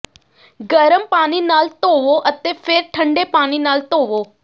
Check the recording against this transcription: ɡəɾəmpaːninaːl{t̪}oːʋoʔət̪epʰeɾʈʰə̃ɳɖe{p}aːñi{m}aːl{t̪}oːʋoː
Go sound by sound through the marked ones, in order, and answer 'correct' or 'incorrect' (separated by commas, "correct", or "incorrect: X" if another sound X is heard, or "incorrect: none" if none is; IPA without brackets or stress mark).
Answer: correct, correct, incorrect: n, correct